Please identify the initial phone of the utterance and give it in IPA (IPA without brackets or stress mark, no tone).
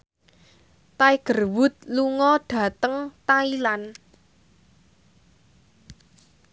t̪